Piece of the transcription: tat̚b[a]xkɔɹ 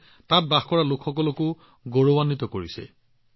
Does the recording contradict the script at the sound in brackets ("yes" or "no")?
no